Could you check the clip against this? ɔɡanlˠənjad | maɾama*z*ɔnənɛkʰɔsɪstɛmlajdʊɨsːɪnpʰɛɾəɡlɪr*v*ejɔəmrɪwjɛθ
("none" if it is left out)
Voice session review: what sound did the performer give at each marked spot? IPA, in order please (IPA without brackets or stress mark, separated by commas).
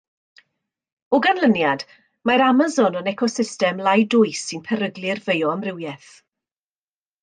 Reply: z, v